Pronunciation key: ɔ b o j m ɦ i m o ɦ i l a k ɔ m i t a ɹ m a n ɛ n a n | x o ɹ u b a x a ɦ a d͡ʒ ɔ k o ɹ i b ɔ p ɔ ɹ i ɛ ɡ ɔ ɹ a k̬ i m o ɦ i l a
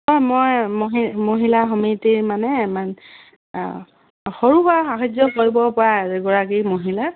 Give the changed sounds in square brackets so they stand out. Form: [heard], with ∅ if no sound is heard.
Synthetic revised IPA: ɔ [m] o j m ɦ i m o ɦ i l a [x] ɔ m i t [i] ɹ m a n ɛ [m] a n | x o ɹ u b a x a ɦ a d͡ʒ ɔ k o ɹ i b ɔ p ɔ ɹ [a] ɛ ɡ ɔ ɹ a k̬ i m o ɦ i l a